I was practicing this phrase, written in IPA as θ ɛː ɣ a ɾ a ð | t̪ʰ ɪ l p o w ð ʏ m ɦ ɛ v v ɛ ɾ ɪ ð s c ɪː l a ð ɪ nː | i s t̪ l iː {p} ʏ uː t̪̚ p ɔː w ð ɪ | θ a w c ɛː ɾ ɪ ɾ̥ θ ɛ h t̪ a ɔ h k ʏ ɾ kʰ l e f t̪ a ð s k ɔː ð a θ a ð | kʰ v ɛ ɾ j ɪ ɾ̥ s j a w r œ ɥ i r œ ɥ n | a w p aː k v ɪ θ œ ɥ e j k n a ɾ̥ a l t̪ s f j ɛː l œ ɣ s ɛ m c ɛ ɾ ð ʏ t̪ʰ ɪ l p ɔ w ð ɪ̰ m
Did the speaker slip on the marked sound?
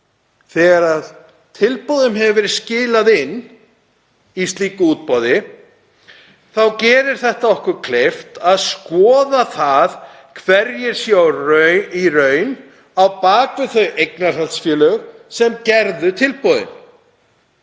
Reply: yes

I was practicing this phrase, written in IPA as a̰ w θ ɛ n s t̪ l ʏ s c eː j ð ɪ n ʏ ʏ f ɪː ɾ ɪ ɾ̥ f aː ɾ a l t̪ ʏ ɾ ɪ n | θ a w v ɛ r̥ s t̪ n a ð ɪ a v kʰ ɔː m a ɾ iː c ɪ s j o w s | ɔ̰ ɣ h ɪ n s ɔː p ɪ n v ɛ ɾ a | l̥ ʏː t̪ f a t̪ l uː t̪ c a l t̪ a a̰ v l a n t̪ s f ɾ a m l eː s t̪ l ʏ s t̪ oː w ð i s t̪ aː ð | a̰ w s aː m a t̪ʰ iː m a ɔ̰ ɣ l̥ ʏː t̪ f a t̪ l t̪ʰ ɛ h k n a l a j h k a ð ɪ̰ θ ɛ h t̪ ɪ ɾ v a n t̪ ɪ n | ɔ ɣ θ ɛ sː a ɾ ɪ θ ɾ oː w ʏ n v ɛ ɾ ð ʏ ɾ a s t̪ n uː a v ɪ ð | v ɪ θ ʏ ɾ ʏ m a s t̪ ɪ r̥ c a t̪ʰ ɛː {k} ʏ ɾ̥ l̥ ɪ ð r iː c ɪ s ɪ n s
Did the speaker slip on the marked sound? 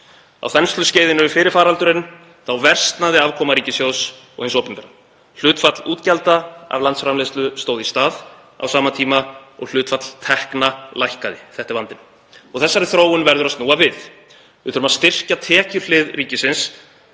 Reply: yes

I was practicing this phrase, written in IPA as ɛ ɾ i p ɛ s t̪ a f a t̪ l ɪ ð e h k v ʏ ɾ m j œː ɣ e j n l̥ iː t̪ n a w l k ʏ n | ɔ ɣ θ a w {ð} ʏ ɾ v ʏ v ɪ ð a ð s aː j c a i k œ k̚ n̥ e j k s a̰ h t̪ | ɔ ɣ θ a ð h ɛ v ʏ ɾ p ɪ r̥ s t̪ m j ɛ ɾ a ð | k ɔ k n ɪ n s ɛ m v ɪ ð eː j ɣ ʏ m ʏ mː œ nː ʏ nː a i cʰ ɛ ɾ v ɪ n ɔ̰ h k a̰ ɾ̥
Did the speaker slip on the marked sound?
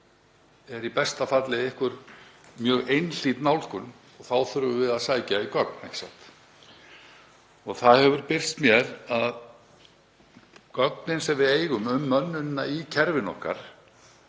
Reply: yes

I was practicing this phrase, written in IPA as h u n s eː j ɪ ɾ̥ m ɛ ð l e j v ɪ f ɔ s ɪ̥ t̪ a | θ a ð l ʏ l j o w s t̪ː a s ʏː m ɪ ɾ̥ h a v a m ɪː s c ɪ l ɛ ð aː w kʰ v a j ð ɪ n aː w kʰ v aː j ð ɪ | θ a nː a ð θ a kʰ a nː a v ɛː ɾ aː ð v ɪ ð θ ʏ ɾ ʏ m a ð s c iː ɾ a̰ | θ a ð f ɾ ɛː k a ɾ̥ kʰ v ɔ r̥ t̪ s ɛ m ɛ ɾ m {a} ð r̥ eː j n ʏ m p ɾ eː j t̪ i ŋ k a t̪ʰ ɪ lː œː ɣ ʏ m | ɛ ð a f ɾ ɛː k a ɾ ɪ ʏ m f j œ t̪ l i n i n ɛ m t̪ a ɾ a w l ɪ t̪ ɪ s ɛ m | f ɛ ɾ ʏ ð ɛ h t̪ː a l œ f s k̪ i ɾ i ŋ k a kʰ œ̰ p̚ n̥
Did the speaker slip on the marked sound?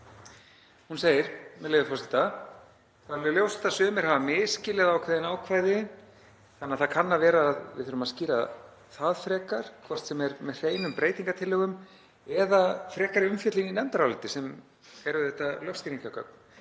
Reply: yes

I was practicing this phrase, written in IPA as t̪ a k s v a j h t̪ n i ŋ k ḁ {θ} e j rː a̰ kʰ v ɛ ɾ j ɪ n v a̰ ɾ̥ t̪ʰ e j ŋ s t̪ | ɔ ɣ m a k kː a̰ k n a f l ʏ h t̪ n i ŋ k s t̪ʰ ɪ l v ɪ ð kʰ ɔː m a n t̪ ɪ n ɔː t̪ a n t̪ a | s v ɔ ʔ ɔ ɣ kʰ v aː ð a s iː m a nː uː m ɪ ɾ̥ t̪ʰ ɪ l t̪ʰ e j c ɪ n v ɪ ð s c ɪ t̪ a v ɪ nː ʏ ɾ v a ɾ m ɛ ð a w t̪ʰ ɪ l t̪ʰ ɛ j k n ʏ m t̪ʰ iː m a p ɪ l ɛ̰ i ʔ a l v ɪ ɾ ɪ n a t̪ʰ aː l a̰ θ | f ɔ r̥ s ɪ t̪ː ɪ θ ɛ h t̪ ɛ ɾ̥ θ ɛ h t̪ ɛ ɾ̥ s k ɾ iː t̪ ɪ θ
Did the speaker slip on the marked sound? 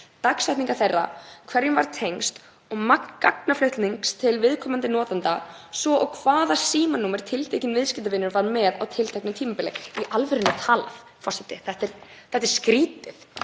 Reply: no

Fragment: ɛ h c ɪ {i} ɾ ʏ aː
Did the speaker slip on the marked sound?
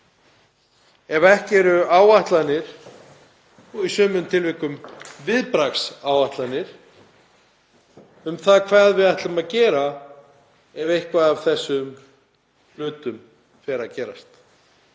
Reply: yes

